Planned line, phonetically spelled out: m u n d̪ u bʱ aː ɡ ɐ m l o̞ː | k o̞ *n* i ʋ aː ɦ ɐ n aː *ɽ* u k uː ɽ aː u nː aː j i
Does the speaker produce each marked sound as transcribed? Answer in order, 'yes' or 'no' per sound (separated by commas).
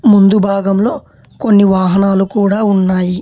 no, no